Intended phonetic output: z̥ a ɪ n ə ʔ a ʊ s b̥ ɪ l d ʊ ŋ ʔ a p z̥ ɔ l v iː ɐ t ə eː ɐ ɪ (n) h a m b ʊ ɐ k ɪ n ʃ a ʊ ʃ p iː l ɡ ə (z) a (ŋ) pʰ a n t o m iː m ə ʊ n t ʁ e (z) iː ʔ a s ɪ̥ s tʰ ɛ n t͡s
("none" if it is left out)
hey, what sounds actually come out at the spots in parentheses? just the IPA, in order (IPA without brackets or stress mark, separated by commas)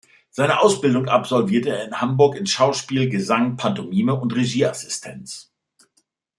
n, z, ŋ, ʒ